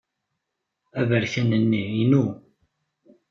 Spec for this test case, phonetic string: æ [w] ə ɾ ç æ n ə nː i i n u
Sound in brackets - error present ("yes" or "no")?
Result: yes